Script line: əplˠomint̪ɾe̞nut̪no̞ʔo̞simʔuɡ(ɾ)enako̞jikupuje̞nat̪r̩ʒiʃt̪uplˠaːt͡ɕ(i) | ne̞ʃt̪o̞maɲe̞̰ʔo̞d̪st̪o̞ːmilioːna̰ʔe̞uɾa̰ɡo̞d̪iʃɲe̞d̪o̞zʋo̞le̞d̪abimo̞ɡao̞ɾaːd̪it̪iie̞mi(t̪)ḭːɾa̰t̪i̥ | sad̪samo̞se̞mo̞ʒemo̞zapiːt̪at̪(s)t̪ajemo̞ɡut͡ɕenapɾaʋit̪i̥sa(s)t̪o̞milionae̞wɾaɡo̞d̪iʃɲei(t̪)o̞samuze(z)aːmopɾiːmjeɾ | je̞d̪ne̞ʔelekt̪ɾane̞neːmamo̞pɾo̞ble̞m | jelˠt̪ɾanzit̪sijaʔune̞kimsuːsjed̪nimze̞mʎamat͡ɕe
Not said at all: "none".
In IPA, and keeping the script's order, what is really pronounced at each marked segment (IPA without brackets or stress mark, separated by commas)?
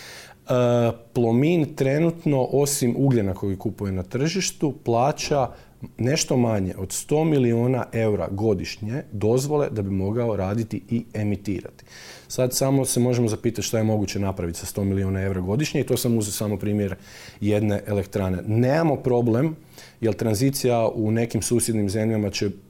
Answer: ʎ, a, t̪, ʃ, s, t̪, s